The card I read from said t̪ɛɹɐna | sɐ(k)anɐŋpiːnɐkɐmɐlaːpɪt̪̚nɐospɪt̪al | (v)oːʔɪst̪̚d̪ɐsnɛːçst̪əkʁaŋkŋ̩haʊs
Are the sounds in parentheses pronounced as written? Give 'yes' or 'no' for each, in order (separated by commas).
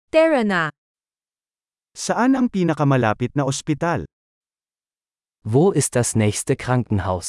no, yes